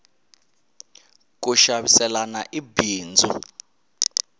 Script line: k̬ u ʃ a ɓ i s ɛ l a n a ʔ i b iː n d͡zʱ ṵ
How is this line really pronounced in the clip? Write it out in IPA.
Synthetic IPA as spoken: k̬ u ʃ a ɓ i s ɛ l a n a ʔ i b iː n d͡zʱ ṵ